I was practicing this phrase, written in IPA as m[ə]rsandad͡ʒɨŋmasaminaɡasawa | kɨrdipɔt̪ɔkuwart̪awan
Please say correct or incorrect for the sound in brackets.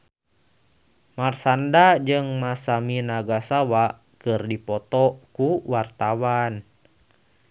incorrect